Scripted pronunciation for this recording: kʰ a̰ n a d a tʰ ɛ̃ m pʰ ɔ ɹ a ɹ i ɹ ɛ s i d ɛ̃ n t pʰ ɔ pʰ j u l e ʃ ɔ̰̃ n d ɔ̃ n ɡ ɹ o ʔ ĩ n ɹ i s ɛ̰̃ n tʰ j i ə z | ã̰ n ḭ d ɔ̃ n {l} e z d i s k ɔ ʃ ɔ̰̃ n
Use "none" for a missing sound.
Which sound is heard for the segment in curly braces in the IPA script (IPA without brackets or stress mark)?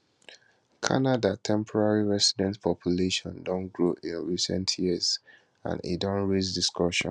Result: ɹ